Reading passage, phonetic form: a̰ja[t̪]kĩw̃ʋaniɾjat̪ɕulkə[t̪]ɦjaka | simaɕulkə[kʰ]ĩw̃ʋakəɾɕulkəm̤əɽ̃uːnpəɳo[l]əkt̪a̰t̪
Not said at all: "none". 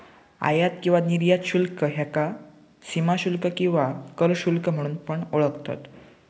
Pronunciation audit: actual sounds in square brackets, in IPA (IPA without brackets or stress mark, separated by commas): t̪, none, k, ɭ